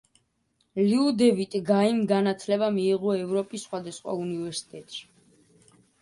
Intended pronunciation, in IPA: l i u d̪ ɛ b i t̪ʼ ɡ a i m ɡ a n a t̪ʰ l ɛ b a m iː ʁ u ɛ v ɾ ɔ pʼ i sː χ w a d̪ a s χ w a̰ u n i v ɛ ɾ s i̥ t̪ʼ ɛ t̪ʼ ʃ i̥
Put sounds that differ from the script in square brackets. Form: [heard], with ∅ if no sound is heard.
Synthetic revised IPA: l i u d̪ ɛ [v] i t̪ʼ ɡ a i m ɡ a n a t̪ʰ l ɛ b a m iː ʁ [ɔ] ɛ v ɾ ɔ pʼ i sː χ w a d̪ a s χ w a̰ u n i v ɛ ɾ s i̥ t̪ʼ ɛ t̪ʼ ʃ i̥

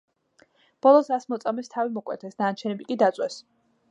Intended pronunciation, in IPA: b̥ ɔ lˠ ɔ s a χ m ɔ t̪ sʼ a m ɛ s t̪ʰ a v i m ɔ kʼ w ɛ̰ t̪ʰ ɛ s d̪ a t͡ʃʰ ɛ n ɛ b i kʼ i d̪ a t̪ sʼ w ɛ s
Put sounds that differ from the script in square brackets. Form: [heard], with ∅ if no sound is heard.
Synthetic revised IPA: b̥ ɔ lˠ ɔ s a [s] m ɔ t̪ sʼ a m ɛ s t̪ʰ a v i m ɔ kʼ w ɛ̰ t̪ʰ ɛ s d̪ a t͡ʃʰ ɛ n ɛ b i kʼ i d̪ a t̪ sʼ w ɛ s

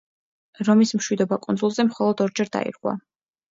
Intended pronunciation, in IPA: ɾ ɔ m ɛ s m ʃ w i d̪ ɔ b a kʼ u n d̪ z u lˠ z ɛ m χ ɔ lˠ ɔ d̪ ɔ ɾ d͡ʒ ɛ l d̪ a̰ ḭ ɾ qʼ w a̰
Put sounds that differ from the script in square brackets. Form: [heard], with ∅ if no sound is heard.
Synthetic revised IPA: ɾ ɔ m [i] s m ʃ w i d̪ ɔ b a kʼ u n d̪ z u lˠ z ɛ m χ ɔ lˠ ɔ d̪ ɔ ɾ d͡ʒ ɛ [ɾ] d̪ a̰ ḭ ɾ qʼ w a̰

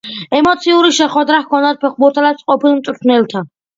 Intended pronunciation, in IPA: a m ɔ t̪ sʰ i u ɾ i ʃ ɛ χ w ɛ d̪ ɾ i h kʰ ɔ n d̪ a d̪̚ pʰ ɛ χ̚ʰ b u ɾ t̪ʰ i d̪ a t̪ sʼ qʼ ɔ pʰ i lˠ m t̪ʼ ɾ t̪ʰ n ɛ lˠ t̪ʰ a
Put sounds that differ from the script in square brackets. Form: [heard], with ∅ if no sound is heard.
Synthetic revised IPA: [ɛ] m ɔ t̪ sʰ i u ɾ i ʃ ɛ χ w ɛ d̪ ɾ [a] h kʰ ɔ n d̪ a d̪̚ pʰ ɛ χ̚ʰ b u ɾ t̪ʰ [a] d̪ a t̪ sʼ qʼ ɔ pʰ i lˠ m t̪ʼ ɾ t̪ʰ n ɛ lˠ t̪ʰ a

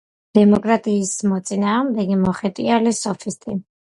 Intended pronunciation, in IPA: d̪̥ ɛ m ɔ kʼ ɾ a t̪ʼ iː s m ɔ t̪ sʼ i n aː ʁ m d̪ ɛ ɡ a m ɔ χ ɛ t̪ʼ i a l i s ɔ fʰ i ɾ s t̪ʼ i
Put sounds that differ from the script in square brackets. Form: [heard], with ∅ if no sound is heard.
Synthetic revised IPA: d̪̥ ɛ m ɔ kʼ ɾ a t̪ʼ iː s m ɔ t̪ sʼ i n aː ʁ m d̪ ɛ ɡ [i] m ɔ χ ɛ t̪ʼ i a l i s ɔ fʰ i [∅] s t̪ʼ i

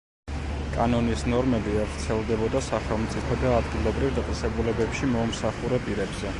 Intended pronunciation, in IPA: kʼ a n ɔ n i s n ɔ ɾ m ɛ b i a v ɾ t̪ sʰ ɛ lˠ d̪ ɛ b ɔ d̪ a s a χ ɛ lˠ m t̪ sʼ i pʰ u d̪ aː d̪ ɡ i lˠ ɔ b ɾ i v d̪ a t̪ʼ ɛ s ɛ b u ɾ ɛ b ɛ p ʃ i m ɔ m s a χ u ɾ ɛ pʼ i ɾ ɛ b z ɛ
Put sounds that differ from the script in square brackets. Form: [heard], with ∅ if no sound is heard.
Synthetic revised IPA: kʼ a n ɔ n i s n ɔ ɾ m ɛ b i a v ɾ t̪ sʰ ɛ lˠ d̪ ɛ b ɔ d̪ a s a χ ɛ lˠ m t̪ sʼ i pʰ [ɔ] d̪ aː d̪ ɡ i lˠ ɔ b ɾ i v d̪ a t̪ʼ ɛ s ɛ b u [l] ɛ b ɛ p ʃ i m ɔ m s a χ u ɾ ɛ pʼ i ɾ ɛ b z ɛ

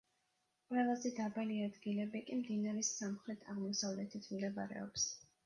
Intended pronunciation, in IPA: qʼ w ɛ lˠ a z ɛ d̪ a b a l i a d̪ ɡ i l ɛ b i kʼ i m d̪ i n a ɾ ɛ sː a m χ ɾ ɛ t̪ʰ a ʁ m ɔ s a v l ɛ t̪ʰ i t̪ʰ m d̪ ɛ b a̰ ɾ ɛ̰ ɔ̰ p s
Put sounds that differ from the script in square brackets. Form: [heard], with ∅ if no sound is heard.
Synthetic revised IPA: qʼ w ɛ lˠ a z ɛ d̪ a b a l i a d̪ ɡ i l ɛ b i kʼ i m d̪ i n a ɾ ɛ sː a m χ ɾ ɛ t̪ʰ a ʁ m ɔ s a v l ɛ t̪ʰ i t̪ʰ m d̪ ɛ b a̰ ɾ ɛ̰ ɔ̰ p s

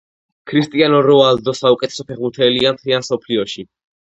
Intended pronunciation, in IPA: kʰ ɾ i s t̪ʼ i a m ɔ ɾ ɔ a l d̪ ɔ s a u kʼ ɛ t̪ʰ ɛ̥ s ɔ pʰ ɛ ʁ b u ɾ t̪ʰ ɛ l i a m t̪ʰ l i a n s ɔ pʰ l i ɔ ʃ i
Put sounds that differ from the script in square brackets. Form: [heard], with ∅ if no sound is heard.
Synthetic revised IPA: kʰ ɾ i s t̪ʼ i a [n] ɔ ɾ ɔ a l d̪ ɔ s a u kʼ ɛ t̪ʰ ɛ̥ s ɔ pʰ ɛ ʁ b u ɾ t̪ʰ ɛ l i a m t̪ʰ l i a n s ɔ pʰ l i ɔ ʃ i

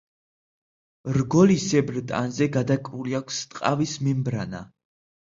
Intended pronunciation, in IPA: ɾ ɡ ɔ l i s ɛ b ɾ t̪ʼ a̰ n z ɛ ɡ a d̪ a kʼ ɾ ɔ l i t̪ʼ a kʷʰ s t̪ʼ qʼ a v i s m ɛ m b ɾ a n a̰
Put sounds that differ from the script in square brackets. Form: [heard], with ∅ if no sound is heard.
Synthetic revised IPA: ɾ ɡ ɔ l i s ɛ b ɾ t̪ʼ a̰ n z ɛ ɡ a d̪ a kʼ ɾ [u] l i [∅] a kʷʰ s t̪ʼ qʼ a v i s m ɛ m b ɾ a n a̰

